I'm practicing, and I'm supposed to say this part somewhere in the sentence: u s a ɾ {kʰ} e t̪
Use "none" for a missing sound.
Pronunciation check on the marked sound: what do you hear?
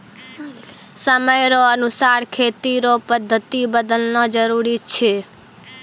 kʰ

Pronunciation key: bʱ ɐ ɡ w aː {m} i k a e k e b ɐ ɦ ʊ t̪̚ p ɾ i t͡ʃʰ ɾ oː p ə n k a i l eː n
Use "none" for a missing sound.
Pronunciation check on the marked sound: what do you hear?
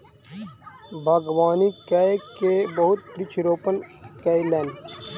n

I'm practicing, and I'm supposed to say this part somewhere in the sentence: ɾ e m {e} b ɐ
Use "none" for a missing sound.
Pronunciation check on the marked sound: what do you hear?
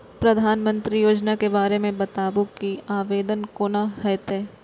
ẽ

